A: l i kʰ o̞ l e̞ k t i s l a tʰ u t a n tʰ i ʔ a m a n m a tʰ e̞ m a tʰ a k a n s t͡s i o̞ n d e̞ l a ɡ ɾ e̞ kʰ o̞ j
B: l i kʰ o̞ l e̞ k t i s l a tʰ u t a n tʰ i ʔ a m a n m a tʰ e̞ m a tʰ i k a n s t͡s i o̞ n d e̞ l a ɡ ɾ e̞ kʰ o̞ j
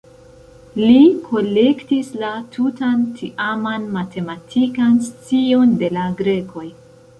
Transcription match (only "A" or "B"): B